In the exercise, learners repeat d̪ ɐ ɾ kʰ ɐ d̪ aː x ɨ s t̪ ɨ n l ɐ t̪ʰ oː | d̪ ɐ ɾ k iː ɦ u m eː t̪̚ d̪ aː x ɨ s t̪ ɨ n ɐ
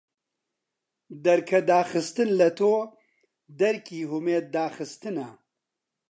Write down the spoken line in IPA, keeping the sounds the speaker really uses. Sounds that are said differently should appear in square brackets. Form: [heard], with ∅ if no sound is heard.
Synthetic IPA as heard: d̪ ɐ ɾ kʰ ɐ d̪ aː x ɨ s t̪ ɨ n l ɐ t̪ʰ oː | d̪ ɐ ɾ k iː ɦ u m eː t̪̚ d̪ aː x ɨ s t̪ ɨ n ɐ